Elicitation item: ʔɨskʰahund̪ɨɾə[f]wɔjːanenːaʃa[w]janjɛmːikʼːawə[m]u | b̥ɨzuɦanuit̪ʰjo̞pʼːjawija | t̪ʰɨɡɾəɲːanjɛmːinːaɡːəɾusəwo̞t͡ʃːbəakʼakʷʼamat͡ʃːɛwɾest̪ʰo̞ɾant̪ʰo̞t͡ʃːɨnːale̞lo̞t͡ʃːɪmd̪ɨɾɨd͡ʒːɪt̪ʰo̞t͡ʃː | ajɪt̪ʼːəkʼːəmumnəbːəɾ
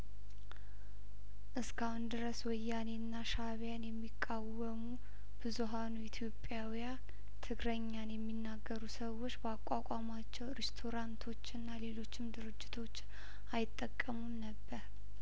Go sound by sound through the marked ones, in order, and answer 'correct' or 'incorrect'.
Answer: incorrect, incorrect, correct

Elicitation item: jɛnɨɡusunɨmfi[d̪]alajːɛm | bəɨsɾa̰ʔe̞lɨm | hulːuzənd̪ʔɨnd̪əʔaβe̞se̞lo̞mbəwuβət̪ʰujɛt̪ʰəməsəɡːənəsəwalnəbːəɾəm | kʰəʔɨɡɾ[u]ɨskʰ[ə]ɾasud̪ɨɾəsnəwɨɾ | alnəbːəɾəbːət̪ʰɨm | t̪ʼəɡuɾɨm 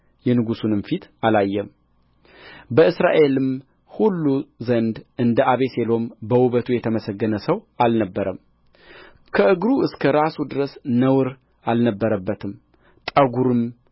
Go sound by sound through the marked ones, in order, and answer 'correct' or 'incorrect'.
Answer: incorrect, correct, correct

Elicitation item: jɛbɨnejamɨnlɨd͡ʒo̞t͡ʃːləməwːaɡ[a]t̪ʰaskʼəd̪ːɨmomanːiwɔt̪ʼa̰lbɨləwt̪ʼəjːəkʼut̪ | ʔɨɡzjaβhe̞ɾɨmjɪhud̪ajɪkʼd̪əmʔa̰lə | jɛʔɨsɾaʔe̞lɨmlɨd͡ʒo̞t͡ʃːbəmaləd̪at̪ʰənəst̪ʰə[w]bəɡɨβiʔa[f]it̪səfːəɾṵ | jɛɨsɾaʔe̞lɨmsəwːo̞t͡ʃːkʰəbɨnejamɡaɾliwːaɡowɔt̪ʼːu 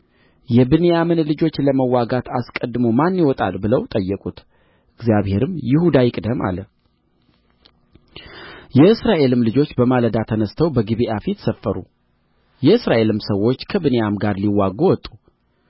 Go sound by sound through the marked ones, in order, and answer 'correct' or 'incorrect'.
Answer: correct, correct, correct

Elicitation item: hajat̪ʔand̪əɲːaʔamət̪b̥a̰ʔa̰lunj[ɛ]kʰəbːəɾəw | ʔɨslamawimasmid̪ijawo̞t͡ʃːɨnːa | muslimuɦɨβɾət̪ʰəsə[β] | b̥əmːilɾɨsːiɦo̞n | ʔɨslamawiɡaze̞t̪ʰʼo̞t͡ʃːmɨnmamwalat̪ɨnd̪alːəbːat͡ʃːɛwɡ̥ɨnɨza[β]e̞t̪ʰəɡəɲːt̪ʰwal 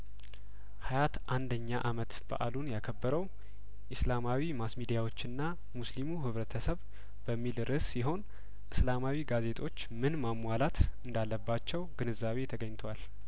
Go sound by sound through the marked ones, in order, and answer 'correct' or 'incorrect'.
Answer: incorrect, correct, correct

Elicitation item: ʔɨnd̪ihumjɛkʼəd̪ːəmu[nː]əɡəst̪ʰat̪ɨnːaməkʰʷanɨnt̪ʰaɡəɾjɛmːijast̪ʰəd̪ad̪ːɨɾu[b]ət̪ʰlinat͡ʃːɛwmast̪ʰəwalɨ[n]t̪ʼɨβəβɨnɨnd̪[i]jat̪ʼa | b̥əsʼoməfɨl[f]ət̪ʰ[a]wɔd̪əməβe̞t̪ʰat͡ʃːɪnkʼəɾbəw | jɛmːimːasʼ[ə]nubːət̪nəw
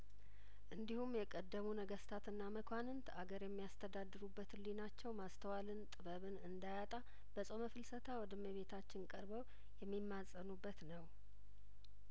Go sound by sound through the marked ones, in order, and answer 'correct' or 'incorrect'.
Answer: incorrect, incorrect, correct, incorrect, incorrect, correct, correct

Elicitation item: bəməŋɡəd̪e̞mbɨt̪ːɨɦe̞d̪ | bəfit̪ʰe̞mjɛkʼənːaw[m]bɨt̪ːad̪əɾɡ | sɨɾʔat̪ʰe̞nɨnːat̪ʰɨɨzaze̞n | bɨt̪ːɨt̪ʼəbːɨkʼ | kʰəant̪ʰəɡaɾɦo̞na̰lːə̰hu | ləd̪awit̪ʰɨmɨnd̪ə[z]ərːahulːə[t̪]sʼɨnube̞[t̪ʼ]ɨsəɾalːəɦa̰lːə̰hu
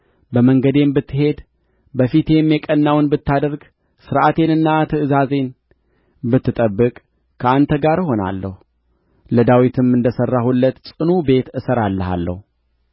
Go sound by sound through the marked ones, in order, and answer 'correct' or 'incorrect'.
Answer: incorrect, incorrect, correct, incorrect

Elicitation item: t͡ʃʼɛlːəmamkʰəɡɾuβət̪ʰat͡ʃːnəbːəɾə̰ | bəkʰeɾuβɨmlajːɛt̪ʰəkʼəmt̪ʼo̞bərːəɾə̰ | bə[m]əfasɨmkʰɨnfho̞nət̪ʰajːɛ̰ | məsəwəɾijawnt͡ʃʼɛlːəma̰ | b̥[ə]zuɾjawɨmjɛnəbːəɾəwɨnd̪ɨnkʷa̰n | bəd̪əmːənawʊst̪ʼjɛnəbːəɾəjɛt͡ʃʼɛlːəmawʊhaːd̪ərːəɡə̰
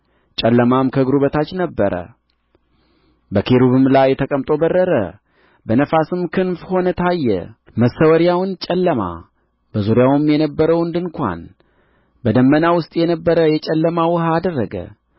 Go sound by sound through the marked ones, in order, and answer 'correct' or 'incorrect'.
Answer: incorrect, correct

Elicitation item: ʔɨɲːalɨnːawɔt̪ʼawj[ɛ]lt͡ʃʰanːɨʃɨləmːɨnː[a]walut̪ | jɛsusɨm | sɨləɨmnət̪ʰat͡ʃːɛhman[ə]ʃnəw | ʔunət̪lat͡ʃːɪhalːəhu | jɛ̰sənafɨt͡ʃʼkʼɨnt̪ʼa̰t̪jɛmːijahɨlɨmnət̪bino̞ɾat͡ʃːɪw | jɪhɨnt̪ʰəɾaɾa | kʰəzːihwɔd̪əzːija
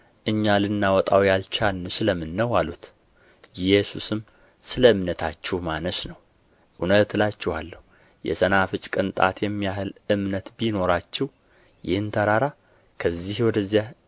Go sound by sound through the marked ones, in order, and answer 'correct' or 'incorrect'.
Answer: incorrect, incorrect, correct

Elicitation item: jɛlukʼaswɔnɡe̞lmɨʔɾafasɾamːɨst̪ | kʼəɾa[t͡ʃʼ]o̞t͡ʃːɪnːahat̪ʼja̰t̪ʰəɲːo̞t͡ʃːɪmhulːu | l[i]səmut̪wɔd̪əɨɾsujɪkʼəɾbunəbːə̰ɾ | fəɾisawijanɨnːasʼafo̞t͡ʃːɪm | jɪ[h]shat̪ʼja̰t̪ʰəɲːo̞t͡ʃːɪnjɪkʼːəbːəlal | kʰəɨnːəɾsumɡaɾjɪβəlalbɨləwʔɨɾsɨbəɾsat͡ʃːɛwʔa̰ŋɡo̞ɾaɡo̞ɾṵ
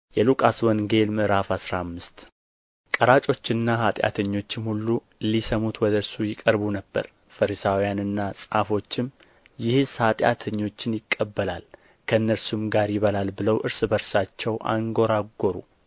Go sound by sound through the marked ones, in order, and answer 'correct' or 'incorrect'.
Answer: correct, correct, correct

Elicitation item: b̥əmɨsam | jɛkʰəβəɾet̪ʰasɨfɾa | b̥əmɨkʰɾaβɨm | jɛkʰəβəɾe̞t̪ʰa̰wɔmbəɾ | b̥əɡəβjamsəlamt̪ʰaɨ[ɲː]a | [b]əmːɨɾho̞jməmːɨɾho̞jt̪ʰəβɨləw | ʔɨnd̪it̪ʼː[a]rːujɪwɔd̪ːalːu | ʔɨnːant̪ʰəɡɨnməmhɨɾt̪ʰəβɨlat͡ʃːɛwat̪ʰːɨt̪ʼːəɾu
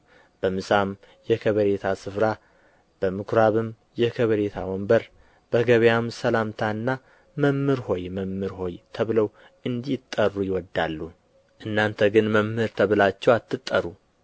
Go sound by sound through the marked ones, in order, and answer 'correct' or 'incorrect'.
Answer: incorrect, incorrect, incorrect

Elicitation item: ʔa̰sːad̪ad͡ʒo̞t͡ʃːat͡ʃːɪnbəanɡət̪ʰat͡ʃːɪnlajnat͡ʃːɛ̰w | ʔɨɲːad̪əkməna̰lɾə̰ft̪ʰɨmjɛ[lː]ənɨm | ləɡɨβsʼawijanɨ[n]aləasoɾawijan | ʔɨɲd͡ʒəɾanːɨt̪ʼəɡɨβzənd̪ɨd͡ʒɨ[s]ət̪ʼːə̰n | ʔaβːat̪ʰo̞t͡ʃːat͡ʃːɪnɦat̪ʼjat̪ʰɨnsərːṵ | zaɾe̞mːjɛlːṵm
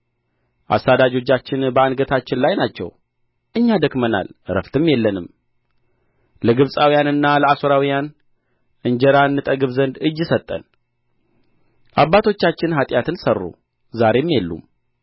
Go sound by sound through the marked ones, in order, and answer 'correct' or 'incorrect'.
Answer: correct, incorrect, correct

